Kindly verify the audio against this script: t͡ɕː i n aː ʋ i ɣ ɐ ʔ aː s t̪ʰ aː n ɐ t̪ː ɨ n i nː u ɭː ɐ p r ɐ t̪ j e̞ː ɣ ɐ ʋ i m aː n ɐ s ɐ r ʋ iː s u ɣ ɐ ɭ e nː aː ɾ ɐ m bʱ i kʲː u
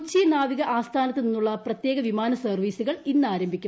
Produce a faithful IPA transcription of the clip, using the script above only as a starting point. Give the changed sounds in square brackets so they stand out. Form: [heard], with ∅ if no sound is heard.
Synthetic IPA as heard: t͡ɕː i n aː ʋ i ɣ ɐ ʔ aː s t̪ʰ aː n ɐ t̪ː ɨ n i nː u ɭː ɐ p r ɐ t̪ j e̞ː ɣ ɐ ʋ i m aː n ɐ s ɐ r ʋ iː s u ɣ ɐ ɭ [i] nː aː ɾ ɐ m bʱ i kʲː u

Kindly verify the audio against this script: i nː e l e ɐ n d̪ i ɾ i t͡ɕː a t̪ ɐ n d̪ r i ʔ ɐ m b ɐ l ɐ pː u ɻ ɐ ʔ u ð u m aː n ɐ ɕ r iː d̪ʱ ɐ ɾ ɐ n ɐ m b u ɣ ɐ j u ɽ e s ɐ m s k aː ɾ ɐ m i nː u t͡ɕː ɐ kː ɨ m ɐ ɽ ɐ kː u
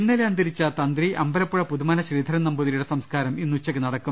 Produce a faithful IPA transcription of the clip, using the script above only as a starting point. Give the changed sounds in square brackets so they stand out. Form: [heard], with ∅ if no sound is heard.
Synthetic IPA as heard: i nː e l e ɐ n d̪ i ɾ i t͡ɕː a t̪ ɐ n d̪ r i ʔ ɐ m b ɐ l ɐ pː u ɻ ɐ [p] u ð u m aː n ɐ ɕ r iː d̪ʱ ɐ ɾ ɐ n ɐ m b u [ð] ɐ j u ɽ e s ɐ m s k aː ɾ ɐ m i nː u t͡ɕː ɐ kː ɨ [n] ɐ ɽ ɐ kː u

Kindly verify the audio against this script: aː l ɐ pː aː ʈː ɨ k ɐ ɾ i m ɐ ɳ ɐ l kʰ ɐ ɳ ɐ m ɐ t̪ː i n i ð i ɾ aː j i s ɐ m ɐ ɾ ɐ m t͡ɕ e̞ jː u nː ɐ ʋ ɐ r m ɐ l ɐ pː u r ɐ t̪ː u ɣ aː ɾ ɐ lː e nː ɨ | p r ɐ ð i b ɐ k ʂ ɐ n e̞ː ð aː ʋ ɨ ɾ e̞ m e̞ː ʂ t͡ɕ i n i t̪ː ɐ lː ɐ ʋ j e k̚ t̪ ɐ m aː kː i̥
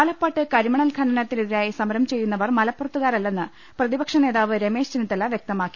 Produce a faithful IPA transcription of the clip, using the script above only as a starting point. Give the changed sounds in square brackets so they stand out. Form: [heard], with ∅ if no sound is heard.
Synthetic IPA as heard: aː l ɐ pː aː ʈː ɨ k ɐ ɾ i m ɐ ɳ ɐ l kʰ ɐ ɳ ɐ [n] ɐ t̪ː i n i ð i ɾ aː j i s ɐ m ɐ ɾ ɐ m t͡ɕ e̞ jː u nː ɐ ʋ ɐ r m ɐ l ɐ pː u r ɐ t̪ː u ɣ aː ɾ ɐ lː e nː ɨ | p r ɐ ð i b ɐ k ʂ ɐ n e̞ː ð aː ʋ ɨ ɾ e̞ m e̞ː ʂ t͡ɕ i n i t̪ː ɐ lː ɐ ʋ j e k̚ t̪ ɐ m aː kː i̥

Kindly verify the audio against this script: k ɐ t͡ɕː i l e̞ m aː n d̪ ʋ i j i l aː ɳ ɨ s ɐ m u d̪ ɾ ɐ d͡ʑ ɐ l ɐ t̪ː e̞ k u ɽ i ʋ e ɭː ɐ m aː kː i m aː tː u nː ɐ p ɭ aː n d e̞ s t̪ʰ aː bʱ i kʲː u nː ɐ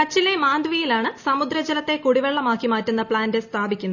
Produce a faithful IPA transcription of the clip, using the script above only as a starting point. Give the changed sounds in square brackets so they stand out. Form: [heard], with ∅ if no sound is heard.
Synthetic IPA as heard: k ɐ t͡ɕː i l e̞ m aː n d̪ ʋ i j i l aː ɳ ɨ s ɐ m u d̪ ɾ ɐ d͡ʑ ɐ l ɐ t̪ː e̞ k u ɽ i ʋ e ɭː ɐ m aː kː i m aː tː u nː ɐ p ɭ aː n d e̞ s t̪ʰ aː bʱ i kʲː u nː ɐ

